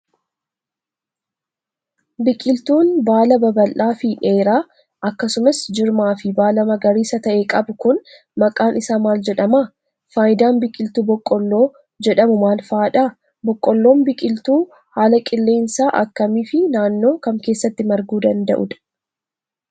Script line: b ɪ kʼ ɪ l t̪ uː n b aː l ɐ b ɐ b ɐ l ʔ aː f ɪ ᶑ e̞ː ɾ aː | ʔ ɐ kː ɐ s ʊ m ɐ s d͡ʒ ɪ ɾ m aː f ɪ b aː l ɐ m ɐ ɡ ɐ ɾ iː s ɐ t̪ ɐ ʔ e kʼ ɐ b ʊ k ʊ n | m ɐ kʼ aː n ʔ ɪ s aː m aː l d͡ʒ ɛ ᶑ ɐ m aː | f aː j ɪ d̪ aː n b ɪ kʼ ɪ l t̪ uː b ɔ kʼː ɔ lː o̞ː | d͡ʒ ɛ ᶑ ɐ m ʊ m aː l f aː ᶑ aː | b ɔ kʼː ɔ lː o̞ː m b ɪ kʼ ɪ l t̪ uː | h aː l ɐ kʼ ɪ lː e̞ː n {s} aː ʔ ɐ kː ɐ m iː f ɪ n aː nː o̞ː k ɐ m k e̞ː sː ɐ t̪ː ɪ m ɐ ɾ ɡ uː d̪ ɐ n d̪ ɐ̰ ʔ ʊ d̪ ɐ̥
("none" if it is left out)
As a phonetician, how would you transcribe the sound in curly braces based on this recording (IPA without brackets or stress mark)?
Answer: s